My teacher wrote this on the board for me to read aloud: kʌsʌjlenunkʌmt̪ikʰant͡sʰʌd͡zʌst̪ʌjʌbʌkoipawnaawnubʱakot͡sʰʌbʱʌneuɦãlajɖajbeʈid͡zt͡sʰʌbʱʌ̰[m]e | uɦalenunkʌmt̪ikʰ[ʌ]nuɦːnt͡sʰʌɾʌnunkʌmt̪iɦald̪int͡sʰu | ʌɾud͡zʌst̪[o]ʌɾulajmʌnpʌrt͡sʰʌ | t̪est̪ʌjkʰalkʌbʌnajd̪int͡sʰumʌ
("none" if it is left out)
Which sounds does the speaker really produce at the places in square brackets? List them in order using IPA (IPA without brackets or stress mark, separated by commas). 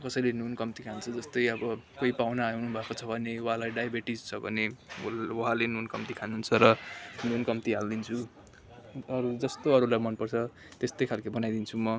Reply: n, a, o